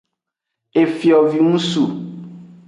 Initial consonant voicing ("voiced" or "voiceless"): voiceless